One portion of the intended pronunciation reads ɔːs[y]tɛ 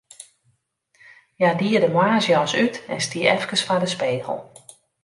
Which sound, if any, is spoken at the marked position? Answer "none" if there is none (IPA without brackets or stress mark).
y